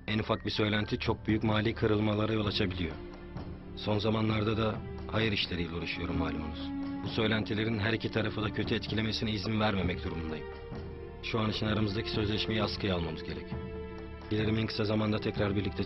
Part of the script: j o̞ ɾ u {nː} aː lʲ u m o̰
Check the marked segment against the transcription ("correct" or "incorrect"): incorrect